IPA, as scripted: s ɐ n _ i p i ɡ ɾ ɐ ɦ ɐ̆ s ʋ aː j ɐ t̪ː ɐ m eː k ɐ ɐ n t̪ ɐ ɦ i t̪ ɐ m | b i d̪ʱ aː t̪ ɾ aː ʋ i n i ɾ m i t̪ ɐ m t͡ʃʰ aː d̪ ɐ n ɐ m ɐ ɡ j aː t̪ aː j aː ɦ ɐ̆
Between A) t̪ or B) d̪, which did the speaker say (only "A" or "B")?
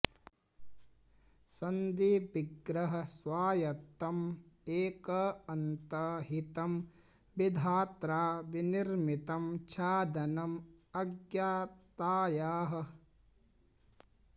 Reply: B